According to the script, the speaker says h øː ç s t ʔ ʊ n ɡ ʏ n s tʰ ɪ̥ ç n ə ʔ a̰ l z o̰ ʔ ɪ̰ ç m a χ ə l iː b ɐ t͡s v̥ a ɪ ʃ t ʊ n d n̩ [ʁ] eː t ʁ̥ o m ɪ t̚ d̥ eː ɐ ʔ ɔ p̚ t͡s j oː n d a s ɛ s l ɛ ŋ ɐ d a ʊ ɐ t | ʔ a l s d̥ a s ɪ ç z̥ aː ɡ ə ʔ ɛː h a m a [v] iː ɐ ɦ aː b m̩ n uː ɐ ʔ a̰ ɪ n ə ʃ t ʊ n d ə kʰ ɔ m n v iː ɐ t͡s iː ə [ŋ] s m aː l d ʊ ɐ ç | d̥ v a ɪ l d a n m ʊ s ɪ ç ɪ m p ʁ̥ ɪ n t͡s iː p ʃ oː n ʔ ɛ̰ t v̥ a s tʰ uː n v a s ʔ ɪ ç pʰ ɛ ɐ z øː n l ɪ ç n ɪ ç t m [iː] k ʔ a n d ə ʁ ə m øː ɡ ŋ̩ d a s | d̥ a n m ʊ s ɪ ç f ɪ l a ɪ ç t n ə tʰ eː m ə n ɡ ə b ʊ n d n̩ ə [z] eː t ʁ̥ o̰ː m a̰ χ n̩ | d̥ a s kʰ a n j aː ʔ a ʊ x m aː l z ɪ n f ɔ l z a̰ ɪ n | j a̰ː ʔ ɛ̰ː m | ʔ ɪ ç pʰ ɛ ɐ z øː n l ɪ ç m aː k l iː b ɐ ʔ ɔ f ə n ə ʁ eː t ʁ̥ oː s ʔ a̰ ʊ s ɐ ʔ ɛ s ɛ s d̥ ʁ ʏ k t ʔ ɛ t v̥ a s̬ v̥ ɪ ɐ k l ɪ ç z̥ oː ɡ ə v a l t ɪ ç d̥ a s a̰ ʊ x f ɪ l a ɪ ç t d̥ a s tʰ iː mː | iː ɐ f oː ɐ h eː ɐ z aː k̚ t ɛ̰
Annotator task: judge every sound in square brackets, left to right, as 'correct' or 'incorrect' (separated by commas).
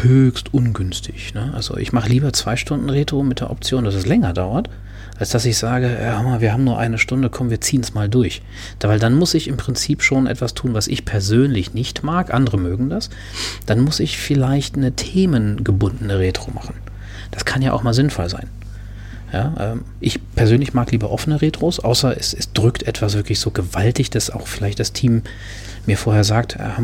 correct, correct, incorrect, incorrect, incorrect